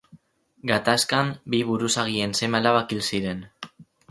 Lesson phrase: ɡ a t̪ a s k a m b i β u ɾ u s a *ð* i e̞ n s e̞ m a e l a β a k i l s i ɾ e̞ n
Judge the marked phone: incorrect: ɣ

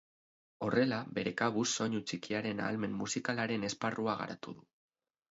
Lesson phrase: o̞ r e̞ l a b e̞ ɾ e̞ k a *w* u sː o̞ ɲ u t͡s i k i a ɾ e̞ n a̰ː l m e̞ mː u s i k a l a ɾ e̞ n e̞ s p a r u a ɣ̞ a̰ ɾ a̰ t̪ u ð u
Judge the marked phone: incorrect: β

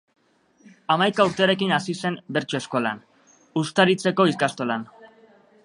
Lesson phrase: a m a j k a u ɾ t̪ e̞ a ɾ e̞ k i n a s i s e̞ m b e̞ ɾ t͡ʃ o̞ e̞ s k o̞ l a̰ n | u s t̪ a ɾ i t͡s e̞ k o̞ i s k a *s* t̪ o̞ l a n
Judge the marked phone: correct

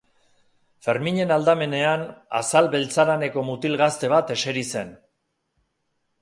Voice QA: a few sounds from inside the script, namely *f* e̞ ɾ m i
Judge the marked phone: correct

